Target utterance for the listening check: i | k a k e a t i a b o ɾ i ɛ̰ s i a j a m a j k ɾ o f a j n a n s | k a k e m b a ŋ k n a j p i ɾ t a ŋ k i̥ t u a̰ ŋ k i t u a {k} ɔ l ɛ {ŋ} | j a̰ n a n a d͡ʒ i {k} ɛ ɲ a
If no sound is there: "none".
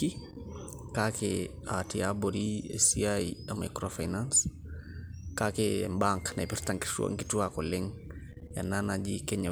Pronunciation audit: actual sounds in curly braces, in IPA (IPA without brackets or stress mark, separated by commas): k, ŋ, k